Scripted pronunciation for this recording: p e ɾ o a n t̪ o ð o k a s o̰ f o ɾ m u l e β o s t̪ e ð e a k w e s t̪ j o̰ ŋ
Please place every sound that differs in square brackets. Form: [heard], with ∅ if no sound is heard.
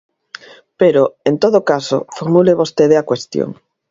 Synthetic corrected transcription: p e ɾ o [e] n t̪ o ð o k a s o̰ f o ɾ m u l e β o s t̪ e ð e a k w e s t̪ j o̰ ŋ